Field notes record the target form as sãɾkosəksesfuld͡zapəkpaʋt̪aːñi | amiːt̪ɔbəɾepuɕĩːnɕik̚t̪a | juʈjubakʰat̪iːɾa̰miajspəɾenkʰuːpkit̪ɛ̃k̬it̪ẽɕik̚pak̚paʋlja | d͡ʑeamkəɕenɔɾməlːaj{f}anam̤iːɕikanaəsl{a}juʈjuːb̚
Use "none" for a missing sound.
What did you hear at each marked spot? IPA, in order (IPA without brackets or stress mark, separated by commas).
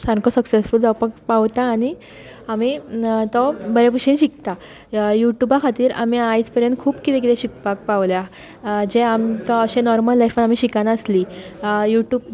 f, i